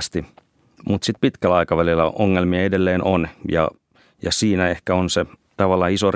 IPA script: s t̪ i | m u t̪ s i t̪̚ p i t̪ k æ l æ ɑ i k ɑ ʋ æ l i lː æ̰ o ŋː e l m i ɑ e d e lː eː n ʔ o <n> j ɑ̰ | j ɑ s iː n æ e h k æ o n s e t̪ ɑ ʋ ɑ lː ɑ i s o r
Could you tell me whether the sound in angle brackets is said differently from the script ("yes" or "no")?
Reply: no